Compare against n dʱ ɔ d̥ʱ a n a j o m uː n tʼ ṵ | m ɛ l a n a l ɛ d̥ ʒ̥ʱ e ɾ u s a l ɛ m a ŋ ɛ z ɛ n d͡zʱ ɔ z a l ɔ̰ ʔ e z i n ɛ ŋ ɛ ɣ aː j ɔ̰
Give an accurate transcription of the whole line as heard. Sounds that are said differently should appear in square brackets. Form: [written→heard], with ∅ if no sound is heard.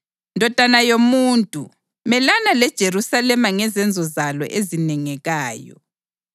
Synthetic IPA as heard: n dʱ ɔ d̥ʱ a n a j o m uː n tʼ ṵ | m ɛ l a n a l ɛ d̥ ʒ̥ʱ e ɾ u s a l ɛ m a ŋ ɛ z ɛ n d͡zʱ ɔ z a l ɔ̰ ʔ e z i n ɛ ŋ ɛ ɣ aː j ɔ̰